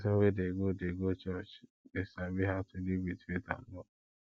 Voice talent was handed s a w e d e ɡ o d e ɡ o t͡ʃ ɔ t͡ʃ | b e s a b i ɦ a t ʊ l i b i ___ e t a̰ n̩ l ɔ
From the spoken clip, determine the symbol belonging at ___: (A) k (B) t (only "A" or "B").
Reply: B